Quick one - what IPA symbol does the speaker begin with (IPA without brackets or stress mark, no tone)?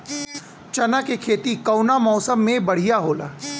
t͡ʃ